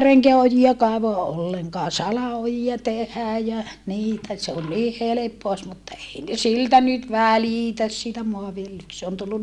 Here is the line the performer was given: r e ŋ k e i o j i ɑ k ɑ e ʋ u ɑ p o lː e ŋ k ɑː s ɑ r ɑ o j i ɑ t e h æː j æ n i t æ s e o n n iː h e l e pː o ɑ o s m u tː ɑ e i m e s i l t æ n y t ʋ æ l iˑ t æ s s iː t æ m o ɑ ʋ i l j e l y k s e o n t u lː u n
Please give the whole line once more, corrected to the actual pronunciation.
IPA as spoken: r e ŋ k e æ o j i ɑ k ɑ e ʋ o ɑ ʔ o lː e ŋ k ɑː s ɑ l ɑ o j i ɑ t e h æː j æ n iː t æ s e o n n iː h e l e pː o ɑ o s m u tː ɑ e i n e s i l t æ n y t ʋ æ l iˑ t æ s s iː t æ m o ɑ ʋ i l j e l y k s e o n t u lː u n